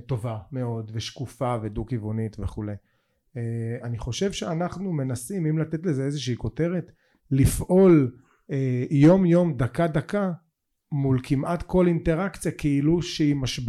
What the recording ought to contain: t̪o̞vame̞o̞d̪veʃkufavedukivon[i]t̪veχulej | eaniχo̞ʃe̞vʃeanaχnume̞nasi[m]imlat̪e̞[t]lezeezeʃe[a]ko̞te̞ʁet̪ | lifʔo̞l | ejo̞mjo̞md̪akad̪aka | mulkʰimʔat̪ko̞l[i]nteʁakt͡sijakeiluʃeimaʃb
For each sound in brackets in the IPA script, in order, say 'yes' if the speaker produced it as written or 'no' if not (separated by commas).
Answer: yes, yes, yes, no, yes